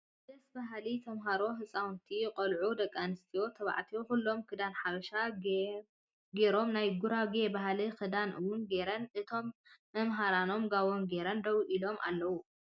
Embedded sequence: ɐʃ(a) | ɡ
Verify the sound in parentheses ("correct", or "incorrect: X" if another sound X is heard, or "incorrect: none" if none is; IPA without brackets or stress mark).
correct